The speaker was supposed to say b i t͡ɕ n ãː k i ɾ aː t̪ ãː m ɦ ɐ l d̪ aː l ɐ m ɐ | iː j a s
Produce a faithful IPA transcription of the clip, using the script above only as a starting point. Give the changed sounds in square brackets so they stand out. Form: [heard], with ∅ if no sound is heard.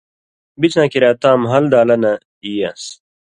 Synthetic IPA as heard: b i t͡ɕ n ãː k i ɾ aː t̪ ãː m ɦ ɐ l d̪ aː l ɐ [n] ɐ | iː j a s

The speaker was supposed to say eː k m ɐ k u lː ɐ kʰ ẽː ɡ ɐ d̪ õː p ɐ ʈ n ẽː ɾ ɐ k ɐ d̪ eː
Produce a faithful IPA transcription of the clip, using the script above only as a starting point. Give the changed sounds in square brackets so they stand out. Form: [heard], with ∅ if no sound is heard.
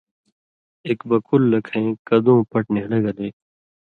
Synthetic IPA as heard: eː k [b] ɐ k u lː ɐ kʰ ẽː [k] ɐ d̪ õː p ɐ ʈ n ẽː [l] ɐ [ɡ] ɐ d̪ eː

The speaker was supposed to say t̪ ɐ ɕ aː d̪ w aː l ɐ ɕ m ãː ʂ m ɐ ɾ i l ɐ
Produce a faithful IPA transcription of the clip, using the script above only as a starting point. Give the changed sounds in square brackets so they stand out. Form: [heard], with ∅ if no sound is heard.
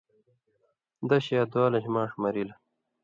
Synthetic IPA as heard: [d̪] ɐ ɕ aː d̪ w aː l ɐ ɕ m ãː ʂ m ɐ ɾ i l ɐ

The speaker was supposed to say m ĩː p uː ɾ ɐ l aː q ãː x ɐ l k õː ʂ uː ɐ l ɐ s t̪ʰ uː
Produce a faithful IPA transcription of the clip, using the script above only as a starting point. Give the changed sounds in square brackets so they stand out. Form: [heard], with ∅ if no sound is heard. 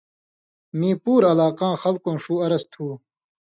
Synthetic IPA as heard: m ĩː p uː ɾ ɐ l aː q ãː x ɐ l k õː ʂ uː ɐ [ɾ] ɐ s t̪ʰ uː

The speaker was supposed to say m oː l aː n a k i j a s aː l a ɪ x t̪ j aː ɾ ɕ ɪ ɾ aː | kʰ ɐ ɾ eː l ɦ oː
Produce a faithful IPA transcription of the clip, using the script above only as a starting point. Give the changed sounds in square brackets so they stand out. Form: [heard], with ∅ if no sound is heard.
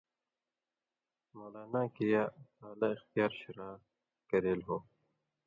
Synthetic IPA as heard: m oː l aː n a k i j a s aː l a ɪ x t̪ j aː ɾ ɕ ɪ ɾ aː | [k] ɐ ɾ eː l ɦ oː

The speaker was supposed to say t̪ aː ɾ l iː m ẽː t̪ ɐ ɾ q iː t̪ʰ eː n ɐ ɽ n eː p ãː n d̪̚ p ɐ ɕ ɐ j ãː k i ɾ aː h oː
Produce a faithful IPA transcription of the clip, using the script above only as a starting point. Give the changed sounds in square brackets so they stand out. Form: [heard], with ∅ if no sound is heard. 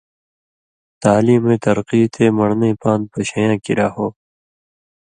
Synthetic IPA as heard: t̪ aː [∅] l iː m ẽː t̪ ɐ ɾ q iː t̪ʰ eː [m] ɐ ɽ n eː p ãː n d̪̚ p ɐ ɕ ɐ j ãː k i ɾ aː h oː

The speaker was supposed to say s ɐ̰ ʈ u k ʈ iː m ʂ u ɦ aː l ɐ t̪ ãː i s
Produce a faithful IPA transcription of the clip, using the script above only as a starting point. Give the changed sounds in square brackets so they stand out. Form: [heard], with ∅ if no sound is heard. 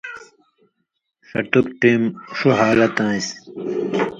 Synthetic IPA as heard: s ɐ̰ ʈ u k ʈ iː m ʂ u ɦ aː l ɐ t̪ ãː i s

